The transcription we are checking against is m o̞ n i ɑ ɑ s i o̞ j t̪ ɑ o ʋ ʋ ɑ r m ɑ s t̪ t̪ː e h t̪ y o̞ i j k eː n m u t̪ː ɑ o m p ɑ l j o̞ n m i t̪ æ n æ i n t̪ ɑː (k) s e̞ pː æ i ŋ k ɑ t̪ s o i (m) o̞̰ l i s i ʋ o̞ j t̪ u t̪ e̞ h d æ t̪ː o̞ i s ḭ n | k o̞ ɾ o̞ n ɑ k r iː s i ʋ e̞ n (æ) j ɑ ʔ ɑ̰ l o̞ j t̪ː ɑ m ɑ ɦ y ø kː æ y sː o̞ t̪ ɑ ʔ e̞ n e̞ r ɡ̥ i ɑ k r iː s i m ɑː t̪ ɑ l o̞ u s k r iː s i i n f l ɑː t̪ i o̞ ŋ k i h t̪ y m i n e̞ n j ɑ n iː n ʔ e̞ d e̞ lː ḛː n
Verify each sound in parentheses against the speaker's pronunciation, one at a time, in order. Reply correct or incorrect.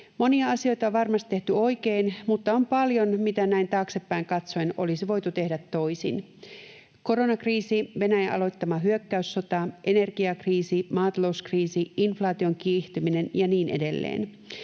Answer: correct, incorrect: n, correct

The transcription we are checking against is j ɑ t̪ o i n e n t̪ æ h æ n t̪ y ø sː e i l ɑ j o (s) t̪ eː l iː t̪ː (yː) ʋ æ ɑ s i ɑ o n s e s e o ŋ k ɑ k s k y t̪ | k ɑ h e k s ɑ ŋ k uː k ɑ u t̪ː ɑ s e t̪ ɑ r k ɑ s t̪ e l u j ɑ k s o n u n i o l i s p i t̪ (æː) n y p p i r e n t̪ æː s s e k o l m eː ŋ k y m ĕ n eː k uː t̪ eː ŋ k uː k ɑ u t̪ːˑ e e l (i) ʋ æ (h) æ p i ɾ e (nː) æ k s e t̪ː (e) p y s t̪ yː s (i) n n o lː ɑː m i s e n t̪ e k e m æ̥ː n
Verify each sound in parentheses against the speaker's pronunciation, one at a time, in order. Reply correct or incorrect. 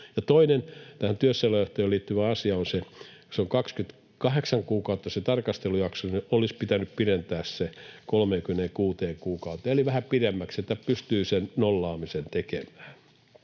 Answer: incorrect: h, incorrect: y, incorrect: æ, correct, correct, incorrect: mː, incorrect: æ, incorrect: e

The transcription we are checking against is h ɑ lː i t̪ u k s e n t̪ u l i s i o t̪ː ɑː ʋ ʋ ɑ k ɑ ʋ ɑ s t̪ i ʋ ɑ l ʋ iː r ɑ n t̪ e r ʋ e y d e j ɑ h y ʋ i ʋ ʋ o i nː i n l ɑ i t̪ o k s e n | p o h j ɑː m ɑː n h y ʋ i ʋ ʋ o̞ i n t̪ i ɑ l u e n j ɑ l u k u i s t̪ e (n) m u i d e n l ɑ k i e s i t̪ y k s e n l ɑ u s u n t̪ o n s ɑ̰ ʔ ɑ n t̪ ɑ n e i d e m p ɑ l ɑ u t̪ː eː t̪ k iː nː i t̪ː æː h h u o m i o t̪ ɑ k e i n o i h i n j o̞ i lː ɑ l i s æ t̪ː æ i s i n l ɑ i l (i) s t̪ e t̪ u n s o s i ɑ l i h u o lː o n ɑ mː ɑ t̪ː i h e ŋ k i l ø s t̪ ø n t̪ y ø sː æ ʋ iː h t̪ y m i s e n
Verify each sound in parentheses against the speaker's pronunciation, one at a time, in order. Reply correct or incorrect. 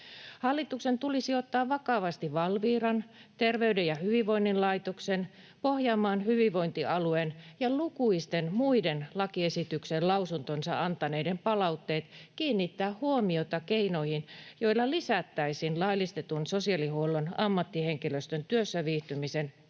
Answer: correct, correct

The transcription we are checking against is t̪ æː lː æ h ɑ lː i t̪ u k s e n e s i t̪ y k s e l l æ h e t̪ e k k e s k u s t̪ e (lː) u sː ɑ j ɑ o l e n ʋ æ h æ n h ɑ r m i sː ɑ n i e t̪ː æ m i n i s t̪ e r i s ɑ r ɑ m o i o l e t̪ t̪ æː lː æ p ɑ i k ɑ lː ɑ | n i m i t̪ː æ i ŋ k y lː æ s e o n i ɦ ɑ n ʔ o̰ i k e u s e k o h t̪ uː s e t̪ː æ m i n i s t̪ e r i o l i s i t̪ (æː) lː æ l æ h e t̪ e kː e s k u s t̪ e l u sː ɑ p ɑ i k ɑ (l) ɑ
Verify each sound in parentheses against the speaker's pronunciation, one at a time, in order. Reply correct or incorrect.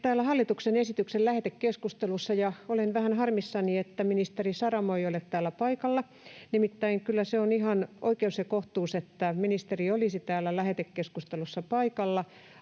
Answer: incorrect: l, correct, incorrect: lː

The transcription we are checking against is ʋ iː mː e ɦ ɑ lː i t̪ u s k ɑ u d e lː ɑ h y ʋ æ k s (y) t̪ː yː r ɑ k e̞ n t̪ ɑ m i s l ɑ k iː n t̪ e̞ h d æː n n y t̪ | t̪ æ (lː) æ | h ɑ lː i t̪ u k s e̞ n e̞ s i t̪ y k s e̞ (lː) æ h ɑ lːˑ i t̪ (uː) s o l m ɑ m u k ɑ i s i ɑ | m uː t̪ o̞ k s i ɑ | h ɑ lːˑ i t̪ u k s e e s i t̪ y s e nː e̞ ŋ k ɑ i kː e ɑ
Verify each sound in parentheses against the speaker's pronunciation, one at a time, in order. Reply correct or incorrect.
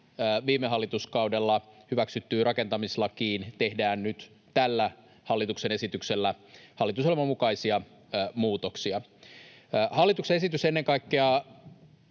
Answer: correct, correct, correct, incorrect: u

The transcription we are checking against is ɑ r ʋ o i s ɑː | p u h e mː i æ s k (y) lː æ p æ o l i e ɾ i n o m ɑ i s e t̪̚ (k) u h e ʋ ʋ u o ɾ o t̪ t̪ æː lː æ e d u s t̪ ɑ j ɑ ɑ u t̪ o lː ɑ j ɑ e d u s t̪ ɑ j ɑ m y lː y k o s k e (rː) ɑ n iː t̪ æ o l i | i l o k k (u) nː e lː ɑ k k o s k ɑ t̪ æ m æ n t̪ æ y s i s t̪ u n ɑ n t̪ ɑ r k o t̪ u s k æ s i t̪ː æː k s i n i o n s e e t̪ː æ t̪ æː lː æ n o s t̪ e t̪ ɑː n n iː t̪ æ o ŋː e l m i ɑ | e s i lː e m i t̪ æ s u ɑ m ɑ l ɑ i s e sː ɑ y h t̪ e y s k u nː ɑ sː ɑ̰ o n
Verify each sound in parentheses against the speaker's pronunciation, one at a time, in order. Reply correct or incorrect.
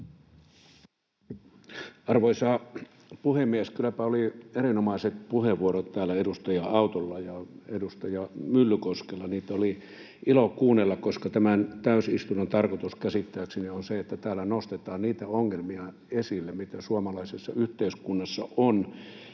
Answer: correct, incorrect: p, incorrect: lː, incorrect: uː

